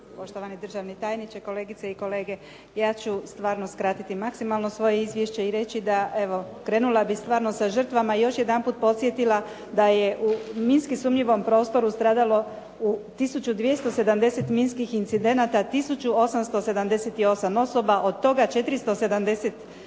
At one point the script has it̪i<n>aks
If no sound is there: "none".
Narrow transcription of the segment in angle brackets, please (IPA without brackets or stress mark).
m